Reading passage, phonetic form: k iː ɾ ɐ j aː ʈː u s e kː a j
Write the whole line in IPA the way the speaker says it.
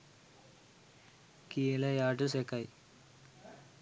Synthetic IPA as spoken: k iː l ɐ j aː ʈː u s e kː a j